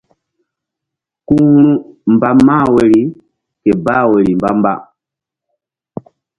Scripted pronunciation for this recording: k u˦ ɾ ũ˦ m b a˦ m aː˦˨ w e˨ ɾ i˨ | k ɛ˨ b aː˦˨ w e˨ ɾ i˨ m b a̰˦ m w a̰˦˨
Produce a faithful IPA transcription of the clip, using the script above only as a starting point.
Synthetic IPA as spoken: k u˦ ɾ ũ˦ m b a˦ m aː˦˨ w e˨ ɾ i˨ | k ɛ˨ b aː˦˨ w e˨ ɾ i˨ m b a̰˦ m b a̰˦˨